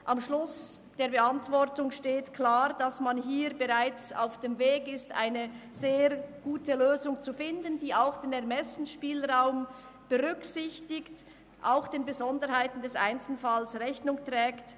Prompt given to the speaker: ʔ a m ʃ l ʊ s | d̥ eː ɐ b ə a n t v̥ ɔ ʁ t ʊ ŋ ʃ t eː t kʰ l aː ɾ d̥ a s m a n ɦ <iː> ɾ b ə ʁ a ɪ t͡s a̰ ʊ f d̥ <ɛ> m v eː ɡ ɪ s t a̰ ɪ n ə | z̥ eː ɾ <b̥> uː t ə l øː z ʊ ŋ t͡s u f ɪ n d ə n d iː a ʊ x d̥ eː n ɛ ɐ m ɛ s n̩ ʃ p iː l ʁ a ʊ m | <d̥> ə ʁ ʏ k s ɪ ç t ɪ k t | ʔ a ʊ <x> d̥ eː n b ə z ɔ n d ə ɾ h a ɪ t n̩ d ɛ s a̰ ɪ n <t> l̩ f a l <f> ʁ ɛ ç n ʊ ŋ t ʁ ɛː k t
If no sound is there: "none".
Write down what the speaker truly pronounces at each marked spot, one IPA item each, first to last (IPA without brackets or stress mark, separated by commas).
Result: iː, e, ɡ̥, b̥, x, t͡s, s